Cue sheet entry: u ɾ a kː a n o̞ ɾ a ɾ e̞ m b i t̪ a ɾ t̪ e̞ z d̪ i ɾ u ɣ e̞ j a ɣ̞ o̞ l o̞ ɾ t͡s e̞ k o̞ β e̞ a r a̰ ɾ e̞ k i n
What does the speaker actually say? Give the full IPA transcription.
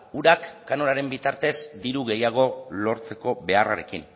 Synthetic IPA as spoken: u ɾ a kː a n o̞ ɾ a ɾ e̞ m b i t̪ a ɾ t̪ e̞ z d̪ i ɾ u ɣ e̞ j a ɣ̞ o̞ l o̞ ɾ t͡s e̞ k o̞ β e̞ a r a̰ ɾ e̞ k i n